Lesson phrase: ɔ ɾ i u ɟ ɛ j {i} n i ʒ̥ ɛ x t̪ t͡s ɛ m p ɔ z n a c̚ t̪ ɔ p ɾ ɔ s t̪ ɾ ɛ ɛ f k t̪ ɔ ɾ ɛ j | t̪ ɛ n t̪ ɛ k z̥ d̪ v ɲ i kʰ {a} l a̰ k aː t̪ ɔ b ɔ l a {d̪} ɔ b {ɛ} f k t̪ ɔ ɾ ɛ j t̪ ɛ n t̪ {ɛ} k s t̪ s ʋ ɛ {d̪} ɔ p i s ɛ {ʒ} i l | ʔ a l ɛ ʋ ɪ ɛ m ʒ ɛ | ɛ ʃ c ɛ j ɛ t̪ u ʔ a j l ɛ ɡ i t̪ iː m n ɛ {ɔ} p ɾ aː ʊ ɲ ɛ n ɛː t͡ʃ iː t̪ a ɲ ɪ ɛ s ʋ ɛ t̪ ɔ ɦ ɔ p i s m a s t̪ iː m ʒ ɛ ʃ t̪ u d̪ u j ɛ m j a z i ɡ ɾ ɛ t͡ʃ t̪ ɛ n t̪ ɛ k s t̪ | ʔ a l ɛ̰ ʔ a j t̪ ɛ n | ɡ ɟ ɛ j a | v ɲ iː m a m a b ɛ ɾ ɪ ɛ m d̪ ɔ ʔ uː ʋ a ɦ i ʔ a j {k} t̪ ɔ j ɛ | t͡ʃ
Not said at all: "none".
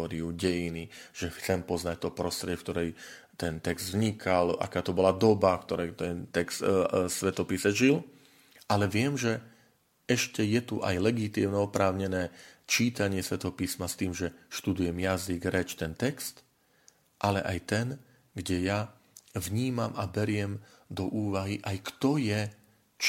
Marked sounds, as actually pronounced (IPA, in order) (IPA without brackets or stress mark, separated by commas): i, a, d̪, a, ɛ, t̪, ʒ, ɔ, k